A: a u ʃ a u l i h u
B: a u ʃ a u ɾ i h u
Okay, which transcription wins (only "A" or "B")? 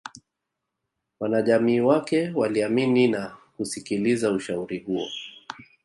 B